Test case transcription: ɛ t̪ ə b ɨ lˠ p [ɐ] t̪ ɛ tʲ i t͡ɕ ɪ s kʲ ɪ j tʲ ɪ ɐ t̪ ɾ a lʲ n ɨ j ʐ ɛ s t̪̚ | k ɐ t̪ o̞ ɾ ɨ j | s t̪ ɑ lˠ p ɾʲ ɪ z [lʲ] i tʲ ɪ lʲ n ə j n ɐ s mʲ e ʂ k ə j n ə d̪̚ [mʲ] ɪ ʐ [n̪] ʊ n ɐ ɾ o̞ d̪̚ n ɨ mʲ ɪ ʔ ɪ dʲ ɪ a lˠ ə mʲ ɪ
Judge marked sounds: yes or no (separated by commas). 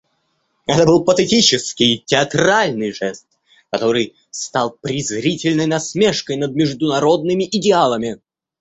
no, no, yes, no